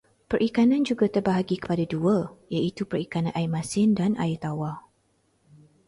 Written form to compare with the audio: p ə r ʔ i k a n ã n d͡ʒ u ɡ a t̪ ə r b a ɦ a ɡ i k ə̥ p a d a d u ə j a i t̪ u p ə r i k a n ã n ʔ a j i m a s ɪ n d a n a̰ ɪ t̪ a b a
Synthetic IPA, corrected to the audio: p ə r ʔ i k a n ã n d͡ʒ u ɡ a t̪ ə r b a ɦ a ɡ i k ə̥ p a d a d u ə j a i t̪ u p ə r i k a n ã n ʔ a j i m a s ɪ n d a n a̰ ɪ t̪ a w a